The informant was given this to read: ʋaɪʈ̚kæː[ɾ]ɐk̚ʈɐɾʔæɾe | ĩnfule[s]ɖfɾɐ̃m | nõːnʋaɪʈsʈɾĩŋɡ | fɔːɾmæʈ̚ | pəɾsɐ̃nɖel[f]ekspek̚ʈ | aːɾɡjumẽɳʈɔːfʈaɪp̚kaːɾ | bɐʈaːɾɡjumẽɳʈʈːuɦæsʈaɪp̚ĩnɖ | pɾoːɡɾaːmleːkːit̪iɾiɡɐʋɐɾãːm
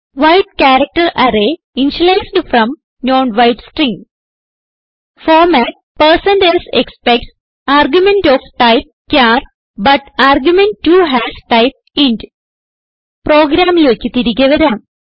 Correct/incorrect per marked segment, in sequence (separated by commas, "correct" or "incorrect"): correct, correct, incorrect